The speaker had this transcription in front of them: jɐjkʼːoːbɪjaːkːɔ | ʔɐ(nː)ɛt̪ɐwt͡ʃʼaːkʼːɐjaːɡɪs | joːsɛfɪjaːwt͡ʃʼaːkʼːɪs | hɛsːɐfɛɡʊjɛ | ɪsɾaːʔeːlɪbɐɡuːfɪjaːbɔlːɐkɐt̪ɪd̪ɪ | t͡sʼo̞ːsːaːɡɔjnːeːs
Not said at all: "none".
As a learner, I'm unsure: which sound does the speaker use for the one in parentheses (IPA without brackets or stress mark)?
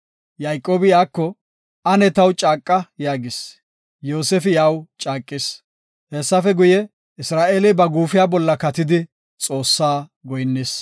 n